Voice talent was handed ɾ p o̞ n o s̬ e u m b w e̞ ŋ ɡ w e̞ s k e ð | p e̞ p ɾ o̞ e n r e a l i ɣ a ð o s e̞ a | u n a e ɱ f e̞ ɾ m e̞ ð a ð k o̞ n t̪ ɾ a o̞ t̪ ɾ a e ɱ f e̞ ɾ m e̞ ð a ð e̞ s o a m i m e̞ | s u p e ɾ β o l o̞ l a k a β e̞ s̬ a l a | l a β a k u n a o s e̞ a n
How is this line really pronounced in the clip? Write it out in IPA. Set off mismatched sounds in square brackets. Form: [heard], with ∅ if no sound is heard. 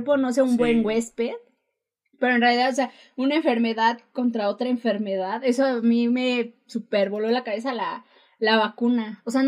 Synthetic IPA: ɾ p o̞ n o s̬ e u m b w e̞ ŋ ɡ w e̞ s [p] e ð | p e̞ [∅] ɾ o̞ e n r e a l i [ð] a ð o s e̞ a | u n a e ɱ f e̞ ɾ m e̞ ð a ð k o̞ n t̪ ɾ a o̞ t̪ ɾ a e ɱ f e̞ ɾ m e̞ ð a ð e̞ s o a m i m e̞ | s u p e ɾ β o l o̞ l a k a β e̞ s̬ a l a | l a β a k u n a o s e̞ a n